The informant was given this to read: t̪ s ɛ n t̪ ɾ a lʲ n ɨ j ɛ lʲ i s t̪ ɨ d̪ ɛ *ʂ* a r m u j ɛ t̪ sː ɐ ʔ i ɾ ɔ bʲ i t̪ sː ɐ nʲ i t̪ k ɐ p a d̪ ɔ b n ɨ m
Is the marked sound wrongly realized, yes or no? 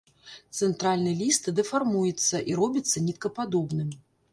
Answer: yes